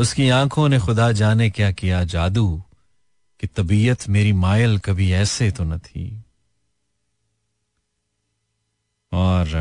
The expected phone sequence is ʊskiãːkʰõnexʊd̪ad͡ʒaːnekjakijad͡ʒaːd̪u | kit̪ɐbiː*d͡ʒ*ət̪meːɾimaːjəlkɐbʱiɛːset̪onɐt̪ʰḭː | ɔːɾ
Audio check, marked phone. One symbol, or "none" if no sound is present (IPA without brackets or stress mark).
none